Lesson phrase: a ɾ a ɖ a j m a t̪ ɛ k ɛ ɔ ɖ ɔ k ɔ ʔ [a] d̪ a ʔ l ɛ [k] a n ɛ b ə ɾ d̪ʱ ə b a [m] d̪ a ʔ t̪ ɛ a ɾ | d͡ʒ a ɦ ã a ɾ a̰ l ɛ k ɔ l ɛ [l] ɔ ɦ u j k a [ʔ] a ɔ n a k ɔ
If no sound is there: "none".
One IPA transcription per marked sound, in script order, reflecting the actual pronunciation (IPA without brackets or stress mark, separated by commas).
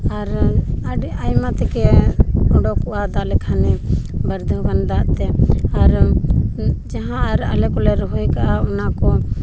a, kʰ, n, ɾ, ʔ